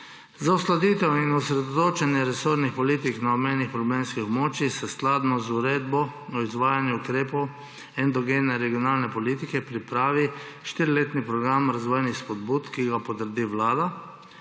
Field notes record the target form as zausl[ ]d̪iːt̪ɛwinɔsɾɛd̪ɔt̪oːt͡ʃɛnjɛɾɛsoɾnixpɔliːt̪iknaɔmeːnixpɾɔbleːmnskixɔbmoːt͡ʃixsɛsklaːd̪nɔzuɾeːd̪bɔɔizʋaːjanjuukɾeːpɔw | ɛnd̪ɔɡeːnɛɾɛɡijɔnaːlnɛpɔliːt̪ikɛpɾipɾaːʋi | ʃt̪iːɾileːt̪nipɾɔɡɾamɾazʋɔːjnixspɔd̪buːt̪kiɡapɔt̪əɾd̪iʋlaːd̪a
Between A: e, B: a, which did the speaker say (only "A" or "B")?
B